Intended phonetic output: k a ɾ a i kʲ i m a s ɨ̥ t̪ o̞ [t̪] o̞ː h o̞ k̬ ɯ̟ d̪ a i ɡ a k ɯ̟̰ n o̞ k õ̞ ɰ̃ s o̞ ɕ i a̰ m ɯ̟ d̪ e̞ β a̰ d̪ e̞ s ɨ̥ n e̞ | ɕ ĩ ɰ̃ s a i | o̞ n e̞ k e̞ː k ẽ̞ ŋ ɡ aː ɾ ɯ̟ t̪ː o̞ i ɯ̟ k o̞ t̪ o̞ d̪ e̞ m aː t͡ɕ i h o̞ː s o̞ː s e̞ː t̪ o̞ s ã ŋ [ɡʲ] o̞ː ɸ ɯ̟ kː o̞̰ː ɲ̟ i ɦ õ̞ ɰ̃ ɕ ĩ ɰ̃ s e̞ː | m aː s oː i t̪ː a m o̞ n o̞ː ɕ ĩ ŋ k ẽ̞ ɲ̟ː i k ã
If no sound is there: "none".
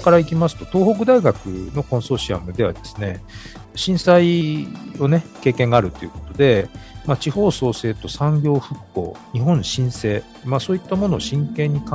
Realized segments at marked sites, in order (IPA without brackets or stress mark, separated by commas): t̪, ɡʲ